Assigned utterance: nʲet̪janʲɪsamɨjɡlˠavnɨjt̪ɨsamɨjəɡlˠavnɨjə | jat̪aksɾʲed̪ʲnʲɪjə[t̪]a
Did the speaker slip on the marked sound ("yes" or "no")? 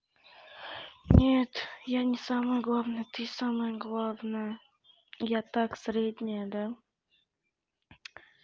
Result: yes